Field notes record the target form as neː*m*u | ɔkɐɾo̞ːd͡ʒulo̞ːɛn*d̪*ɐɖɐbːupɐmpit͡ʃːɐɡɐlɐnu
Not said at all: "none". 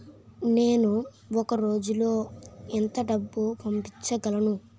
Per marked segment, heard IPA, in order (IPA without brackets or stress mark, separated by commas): n, t̪